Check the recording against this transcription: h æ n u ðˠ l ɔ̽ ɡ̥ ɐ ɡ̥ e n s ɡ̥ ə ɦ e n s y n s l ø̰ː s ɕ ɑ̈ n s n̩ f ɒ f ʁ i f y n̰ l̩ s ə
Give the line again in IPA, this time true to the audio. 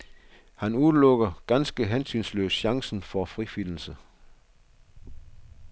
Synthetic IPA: h æ n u ðˠ l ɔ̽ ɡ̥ ɐ ɡ̥ æ n s ɡ̥ ə ɦ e n s y n s l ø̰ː s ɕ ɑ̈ ŋ s n̩ f ɒ f ʁ i f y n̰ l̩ s ə

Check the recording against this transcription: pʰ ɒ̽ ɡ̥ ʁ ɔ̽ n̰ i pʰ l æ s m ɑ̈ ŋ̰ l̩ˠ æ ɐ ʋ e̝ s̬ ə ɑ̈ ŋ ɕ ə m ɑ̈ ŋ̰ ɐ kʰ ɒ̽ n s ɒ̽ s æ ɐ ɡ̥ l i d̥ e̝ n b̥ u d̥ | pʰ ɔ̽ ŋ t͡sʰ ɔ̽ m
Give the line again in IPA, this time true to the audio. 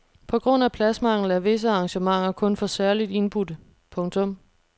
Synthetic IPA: pʰ ɒ̽ ɡ̥ ʁ ɔ̽ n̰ æ pʰ l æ s m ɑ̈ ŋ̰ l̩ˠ æ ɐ ʋ e̝ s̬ ə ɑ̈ ŋ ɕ ə m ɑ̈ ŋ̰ ɐ kʰ ɔ̽ n f ɒ̽ s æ ɐ l i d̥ e̝ n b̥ u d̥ | pʰ ɔ̽ ŋ t͡sʰ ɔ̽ m

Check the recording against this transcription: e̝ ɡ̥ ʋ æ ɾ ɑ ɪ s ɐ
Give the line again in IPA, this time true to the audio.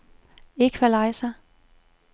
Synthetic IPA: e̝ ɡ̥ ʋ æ l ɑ ɪ s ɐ

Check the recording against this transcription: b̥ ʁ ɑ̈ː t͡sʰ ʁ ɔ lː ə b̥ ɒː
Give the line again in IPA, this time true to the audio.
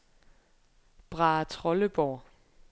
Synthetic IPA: b̥ ʁ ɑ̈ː t͡sʰ ʁ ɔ l ə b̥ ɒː

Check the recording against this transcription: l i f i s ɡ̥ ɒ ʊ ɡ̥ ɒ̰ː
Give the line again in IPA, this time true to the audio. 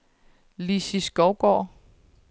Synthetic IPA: l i s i s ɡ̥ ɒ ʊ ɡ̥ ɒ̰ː

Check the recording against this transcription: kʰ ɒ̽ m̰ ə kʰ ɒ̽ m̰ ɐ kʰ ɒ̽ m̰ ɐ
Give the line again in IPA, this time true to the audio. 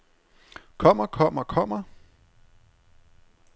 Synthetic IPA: kʰ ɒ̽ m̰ ɐ kʰ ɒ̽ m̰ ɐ kʰ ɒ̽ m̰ ɐ

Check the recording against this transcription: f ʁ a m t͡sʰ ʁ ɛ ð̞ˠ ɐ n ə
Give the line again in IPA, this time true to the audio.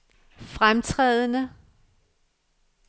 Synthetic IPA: f ʁ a m t͡sʰ ʁ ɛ ð̞ˠ ə n ə

